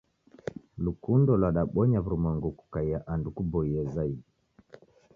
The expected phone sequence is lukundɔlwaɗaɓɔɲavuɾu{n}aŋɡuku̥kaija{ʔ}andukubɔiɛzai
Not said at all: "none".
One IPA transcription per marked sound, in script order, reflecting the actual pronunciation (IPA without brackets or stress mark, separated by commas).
m, ʔ